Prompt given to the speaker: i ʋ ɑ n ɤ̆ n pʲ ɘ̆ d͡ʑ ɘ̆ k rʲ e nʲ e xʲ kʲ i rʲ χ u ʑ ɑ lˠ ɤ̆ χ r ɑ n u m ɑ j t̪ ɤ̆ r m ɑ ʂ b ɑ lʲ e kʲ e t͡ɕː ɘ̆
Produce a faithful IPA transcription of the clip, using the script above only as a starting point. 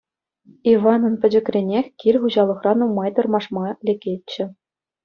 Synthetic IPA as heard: i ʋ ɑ n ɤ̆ n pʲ ɘ̆ d͡ʑ ɘ̆ k rʲ e nʲ e xʲ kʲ i rʲ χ u ʑ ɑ lˠ ɤ̆ χ r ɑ n u m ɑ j t̪ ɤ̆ r m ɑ ʂ m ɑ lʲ e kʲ e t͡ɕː ɘ̆